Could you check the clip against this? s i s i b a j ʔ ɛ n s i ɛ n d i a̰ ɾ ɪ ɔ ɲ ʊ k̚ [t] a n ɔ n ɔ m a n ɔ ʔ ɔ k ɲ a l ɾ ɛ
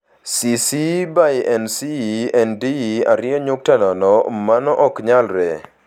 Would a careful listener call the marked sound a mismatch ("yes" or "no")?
no